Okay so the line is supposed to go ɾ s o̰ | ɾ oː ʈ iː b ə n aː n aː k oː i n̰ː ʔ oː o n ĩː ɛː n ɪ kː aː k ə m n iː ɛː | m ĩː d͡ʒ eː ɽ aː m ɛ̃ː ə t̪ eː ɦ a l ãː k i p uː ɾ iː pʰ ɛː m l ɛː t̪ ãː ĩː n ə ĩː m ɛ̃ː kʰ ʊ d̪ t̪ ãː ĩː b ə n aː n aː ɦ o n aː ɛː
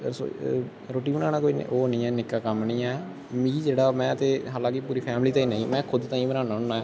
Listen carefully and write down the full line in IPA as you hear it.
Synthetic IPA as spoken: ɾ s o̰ | ɾ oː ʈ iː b ə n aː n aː k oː i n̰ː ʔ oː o n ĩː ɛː n ɪ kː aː k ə m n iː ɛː | m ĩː d͡ʒ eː ɽ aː m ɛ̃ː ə t̪ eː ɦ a l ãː k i p uː ɾ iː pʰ ɛː m l iː t̪ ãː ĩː n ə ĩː m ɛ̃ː kʰ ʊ d̪ t̪ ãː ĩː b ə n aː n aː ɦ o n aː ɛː